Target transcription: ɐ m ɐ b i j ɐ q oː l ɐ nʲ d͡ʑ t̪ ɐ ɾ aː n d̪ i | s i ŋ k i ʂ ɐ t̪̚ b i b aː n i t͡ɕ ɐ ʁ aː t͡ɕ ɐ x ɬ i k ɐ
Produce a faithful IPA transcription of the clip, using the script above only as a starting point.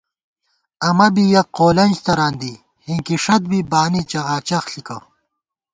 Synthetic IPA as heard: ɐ m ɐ b i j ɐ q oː l ɐ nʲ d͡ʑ t̪ ɐ ɾ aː n d̪ i | h i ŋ k i ʂ ɐ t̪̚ b i b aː n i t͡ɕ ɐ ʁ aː t͡ɕ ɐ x ɬ i k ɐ